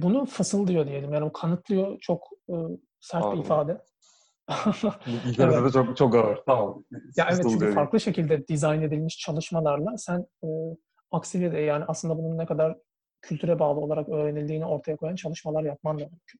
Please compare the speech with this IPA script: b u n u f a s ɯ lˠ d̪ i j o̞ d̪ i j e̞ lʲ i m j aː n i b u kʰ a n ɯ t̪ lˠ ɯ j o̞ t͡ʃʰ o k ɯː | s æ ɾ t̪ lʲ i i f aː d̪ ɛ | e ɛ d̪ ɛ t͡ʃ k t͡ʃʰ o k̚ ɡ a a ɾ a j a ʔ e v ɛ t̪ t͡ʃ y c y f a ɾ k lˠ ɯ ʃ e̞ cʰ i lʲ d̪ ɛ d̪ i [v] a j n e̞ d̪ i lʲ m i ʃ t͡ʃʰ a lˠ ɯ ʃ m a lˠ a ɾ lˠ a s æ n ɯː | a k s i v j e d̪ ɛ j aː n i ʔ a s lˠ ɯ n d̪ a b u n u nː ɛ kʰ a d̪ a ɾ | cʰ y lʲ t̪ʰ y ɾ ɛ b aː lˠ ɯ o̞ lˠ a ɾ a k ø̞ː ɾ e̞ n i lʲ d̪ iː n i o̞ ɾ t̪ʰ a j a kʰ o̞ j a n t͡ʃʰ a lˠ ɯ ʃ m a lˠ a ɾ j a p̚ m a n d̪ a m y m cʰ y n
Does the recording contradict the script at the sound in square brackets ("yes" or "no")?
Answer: yes